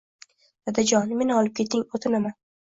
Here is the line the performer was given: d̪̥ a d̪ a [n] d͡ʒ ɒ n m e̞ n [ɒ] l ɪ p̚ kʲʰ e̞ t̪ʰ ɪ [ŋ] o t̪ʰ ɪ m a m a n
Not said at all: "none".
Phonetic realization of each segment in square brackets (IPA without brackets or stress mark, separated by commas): none, ɒ, ŋ